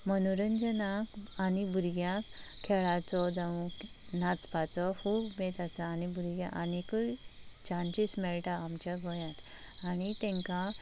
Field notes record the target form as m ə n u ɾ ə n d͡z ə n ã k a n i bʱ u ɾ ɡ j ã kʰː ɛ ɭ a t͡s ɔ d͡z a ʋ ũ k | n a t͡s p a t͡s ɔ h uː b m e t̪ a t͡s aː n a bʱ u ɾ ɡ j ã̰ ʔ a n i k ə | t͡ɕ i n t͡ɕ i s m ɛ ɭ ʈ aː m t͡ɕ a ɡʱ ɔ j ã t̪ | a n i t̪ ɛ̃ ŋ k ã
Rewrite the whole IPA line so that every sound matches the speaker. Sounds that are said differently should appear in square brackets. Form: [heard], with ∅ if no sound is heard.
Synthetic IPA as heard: m ə n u ɾ ə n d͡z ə n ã k a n i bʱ u ɾ ɡ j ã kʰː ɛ ɭ a t͡s ɔ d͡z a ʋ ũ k | n a t͡s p a t͡s ɔ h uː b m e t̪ a t͡s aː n [i] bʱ u ɾ ɡ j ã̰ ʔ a n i k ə | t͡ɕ [a] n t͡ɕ i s m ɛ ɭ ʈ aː m t͡ɕ a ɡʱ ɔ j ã t̪ | a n i t̪ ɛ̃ ŋ k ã